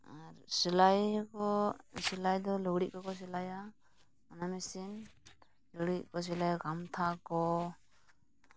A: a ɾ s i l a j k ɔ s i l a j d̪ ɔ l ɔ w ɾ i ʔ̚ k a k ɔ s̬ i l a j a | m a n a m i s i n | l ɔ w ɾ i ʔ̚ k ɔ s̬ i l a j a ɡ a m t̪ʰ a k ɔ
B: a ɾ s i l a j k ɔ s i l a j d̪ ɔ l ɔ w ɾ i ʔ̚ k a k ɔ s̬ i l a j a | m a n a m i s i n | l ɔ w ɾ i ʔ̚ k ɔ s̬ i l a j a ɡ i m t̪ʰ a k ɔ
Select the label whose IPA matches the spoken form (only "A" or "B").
A